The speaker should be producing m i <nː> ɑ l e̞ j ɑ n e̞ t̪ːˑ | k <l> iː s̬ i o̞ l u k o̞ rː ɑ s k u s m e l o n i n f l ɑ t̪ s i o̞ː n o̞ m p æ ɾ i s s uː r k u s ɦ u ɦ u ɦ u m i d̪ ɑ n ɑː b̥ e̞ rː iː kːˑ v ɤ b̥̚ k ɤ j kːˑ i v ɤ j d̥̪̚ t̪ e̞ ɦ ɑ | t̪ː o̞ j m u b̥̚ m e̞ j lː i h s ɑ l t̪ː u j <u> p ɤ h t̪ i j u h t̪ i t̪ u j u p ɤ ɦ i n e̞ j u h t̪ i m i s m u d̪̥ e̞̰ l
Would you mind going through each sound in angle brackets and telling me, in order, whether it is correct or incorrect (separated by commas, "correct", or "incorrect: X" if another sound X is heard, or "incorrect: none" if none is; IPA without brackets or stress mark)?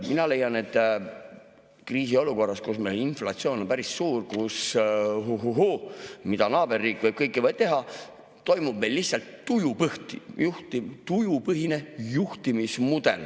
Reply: incorrect: n, incorrect: r, correct